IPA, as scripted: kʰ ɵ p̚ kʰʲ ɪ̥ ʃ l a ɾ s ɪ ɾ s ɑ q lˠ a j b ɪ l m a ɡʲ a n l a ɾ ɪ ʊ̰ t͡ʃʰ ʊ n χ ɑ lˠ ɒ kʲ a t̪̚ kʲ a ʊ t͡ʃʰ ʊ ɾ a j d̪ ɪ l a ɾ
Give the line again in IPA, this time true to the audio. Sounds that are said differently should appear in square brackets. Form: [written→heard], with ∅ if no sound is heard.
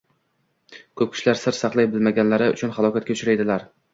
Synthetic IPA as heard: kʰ ɵ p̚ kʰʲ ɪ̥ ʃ l a ɾ s ɪ ɾ s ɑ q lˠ a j b ɪ l m a ɡʲ a n l a ɾ ɪ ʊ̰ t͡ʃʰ ʊ n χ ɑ lˠ ɒ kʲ a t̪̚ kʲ a ʊ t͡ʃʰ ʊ ɾ a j d̪ ɪ l a ɾ